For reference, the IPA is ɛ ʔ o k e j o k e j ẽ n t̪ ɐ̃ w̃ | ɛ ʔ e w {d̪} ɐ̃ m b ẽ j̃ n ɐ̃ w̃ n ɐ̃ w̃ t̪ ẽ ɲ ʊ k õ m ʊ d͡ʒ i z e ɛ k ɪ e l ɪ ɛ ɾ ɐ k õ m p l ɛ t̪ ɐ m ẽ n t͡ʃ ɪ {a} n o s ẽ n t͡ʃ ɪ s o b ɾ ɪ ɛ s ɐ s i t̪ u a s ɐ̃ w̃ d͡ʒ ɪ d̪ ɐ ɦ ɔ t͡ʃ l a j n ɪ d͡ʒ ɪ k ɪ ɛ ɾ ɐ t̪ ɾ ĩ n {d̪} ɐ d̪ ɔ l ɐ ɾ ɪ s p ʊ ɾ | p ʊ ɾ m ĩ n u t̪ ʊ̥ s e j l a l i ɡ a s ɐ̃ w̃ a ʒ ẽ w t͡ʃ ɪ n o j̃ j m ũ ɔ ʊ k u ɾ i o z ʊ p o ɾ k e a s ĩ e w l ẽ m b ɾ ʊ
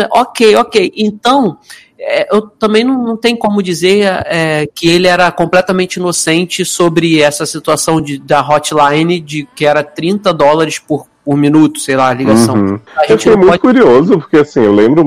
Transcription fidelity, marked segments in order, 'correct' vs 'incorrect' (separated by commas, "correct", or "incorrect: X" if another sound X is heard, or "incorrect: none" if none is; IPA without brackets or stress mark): incorrect: t̪, incorrect: i, incorrect: t̪